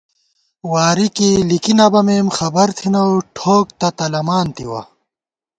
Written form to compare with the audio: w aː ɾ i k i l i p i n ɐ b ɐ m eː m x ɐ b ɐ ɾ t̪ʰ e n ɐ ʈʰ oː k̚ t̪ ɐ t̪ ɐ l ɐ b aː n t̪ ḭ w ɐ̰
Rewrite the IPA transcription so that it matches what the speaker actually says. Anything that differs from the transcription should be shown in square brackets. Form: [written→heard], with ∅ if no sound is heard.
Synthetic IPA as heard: w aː ɾ i k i l i [p→k] i n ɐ b ɐ m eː m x ɐ b ɐ ɾ t̪ʰ [e→i] n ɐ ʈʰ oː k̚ t̪ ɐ t̪ ɐ l ɐ [b→m] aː n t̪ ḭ w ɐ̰